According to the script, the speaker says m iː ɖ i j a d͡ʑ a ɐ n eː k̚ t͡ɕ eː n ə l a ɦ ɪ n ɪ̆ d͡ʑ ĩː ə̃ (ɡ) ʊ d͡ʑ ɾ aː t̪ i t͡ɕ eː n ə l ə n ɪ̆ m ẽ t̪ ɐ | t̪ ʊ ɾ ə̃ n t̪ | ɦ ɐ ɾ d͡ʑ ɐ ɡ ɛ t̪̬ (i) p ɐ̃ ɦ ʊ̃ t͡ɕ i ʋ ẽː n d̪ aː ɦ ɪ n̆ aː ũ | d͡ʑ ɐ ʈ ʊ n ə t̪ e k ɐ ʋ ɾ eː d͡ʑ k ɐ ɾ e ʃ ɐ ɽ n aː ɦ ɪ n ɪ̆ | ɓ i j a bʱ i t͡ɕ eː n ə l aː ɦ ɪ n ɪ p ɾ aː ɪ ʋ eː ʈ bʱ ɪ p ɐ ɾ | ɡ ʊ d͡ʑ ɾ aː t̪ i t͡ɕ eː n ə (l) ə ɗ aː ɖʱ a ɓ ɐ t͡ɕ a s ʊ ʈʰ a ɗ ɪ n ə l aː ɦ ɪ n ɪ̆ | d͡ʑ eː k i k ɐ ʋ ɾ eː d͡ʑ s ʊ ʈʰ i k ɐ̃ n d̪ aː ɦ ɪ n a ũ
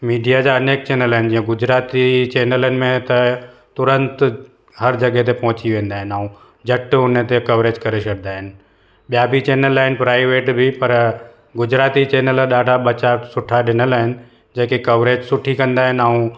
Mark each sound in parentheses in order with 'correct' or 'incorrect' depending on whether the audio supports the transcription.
correct, incorrect: e, correct

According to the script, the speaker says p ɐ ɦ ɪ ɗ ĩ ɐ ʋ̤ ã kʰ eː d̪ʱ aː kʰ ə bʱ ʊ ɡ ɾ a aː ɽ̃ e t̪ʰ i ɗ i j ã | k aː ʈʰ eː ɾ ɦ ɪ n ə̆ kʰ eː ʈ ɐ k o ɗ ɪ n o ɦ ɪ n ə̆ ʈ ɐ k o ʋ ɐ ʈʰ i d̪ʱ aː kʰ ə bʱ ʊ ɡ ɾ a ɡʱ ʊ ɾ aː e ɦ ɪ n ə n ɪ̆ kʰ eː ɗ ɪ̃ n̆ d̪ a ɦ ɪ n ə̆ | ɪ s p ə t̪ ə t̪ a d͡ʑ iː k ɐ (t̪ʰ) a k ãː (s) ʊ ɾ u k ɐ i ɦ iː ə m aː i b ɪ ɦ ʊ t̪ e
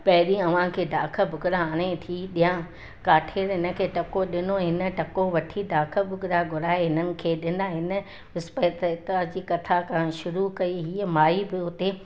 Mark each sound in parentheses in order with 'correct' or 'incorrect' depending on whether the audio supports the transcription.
correct, incorrect: ʃ

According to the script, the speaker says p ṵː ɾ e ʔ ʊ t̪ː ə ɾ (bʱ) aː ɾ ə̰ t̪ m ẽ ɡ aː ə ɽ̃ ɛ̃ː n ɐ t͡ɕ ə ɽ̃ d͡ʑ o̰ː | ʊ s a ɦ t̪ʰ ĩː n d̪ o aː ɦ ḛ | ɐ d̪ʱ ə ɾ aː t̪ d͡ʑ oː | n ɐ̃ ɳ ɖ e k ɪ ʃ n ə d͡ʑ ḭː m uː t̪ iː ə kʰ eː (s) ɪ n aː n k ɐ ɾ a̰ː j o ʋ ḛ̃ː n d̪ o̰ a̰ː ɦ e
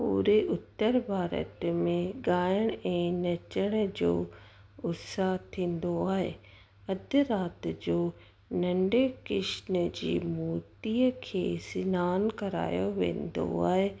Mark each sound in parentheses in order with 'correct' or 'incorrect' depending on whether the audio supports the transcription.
correct, correct

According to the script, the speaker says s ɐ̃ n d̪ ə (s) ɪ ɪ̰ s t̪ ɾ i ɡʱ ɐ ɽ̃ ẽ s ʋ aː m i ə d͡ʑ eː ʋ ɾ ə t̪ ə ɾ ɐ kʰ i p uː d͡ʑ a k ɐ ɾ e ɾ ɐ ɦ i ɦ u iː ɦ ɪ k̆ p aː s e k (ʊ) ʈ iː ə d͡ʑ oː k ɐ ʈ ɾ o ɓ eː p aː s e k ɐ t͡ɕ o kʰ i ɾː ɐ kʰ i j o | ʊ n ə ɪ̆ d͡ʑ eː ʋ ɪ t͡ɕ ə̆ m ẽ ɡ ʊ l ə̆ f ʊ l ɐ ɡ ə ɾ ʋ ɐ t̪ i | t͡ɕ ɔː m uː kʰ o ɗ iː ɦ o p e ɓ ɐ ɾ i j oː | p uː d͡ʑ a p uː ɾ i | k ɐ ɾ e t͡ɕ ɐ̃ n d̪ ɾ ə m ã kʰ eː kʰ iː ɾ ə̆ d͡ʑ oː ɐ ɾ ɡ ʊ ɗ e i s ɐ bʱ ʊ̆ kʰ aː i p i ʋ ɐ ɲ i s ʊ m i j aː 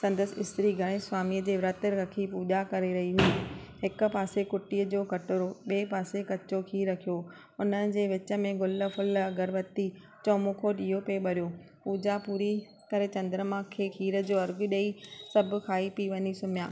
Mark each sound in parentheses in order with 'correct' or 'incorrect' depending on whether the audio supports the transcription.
correct, correct

